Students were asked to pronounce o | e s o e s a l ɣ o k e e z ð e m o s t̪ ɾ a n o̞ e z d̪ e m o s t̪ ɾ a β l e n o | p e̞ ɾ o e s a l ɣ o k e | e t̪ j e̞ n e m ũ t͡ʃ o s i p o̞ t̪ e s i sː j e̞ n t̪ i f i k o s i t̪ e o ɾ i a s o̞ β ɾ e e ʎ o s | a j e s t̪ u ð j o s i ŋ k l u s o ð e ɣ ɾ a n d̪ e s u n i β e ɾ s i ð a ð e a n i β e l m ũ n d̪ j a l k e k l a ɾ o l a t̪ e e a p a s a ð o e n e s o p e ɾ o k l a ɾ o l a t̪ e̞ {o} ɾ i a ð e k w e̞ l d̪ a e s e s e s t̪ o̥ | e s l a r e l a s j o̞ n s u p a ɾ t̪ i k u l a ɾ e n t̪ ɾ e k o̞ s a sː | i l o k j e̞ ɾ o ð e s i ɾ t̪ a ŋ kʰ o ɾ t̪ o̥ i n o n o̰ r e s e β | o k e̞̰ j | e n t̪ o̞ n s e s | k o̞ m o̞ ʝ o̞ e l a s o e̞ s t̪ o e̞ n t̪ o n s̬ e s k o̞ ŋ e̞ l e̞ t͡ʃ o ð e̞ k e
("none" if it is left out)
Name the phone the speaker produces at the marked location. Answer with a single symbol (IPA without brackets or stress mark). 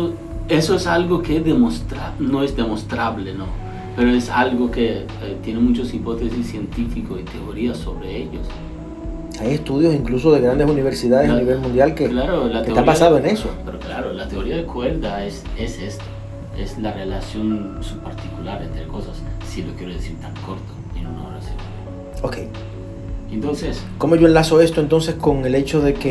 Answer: o